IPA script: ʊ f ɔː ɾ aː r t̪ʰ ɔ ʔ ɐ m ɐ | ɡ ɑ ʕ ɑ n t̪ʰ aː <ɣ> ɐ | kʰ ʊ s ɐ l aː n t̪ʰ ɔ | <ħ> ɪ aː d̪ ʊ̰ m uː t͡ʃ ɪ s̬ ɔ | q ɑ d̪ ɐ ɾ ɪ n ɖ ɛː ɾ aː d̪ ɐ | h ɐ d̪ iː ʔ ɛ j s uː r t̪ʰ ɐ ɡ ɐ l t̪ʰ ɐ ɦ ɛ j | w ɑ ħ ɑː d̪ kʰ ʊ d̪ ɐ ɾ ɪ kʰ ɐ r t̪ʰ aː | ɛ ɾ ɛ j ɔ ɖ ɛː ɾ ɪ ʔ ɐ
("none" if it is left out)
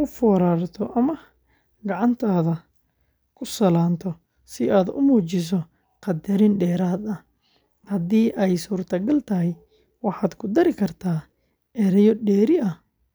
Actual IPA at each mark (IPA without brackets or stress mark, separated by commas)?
ð, s